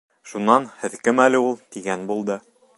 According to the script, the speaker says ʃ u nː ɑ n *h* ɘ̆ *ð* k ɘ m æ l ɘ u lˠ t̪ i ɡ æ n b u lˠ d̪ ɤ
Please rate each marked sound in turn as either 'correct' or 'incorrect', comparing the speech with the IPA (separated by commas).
correct, correct